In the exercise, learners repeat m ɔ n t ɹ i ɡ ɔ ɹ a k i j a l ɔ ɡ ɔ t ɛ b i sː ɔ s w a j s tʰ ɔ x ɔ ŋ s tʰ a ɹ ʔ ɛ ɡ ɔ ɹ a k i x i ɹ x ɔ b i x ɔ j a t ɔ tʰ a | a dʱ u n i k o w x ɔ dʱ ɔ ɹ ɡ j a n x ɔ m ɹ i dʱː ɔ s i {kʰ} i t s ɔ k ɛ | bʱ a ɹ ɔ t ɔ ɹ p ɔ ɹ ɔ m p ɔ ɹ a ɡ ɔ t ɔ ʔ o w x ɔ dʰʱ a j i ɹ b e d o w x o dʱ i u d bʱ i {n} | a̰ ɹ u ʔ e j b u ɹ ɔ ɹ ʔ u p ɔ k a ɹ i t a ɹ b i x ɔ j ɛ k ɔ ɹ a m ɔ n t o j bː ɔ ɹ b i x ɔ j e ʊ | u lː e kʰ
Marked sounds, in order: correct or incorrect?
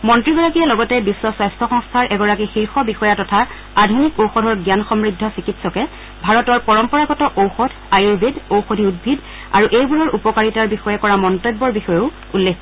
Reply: incorrect: k, incorrect: d

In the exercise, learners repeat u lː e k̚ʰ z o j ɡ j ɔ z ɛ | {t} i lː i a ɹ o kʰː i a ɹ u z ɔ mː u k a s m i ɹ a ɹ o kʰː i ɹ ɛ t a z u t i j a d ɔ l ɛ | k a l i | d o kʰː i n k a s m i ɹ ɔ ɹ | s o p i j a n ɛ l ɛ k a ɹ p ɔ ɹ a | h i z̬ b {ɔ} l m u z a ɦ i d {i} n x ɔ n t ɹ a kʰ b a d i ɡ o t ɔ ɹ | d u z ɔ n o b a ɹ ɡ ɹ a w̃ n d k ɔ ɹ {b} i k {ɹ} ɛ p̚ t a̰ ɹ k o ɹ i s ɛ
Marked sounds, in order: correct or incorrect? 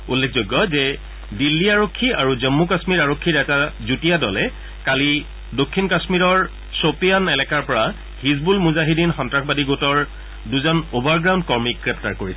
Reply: incorrect: d, incorrect: u, correct, incorrect: m, correct

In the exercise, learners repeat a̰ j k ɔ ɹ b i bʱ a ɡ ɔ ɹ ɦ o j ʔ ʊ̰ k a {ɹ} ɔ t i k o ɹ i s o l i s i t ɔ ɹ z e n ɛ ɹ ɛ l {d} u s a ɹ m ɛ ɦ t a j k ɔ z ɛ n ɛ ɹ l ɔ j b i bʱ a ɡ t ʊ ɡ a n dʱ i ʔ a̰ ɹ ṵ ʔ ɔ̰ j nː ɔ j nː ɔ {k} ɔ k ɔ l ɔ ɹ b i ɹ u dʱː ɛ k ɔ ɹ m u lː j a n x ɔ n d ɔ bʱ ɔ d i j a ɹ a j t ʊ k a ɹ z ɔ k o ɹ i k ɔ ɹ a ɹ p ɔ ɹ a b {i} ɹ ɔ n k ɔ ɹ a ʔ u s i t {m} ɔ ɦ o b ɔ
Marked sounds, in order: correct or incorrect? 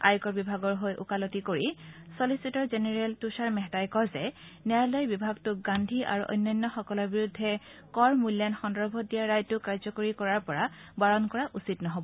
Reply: incorrect: l, incorrect: t, incorrect: x, incorrect: a, incorrect: n

